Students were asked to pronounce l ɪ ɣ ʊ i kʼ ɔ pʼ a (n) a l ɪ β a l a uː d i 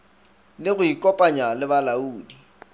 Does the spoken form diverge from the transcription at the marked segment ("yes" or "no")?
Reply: yes